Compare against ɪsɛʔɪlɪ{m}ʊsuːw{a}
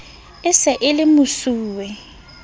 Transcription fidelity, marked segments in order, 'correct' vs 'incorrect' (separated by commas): correct, incorrect